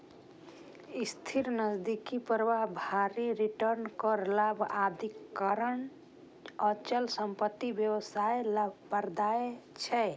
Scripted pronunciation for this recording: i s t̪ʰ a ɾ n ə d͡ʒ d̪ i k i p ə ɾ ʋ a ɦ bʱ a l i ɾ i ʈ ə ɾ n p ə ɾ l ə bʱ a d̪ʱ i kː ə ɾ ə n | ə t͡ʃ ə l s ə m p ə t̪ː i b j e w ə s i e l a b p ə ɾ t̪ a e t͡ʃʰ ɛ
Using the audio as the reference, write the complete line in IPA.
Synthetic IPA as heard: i s t̪ʰ i ɾ n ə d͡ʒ d̪ i k i p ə ɾ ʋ a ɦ bʱ a ɾ i ɾ i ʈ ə ɾ n k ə ɾ l a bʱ a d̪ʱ i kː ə ɾ ə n | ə t͡ʃ ə l s ə m p ə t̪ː i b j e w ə s a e l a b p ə ɾ d̪ a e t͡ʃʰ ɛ